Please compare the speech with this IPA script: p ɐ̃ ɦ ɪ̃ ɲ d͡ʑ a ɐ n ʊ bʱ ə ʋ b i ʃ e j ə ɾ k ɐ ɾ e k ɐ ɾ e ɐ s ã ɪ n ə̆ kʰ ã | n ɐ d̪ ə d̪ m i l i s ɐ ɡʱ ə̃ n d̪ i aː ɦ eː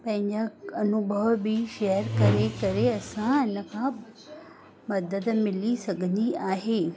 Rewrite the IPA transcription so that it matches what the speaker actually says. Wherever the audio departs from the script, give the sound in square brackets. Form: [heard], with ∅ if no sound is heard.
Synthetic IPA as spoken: p ɐ̃ ɦ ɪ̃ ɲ d͡ʑ a ɐ n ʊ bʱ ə ʋ b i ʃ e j ə ɾ k ɐ ɾ e k ɐ ɾ e ɐ s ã ɪ n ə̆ kʰ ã | [m] ɐ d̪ ə d̪ m [ɪ] l i s ɐ ɡʱ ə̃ n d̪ i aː ɦ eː